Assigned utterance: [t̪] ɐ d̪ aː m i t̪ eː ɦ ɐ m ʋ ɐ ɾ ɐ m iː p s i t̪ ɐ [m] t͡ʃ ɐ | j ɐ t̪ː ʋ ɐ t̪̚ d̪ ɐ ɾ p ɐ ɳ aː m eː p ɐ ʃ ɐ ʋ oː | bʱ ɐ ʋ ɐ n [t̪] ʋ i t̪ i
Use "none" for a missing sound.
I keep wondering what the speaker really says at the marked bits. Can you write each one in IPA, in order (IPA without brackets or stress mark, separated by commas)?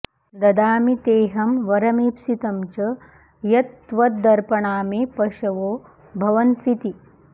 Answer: d̪, m, t̪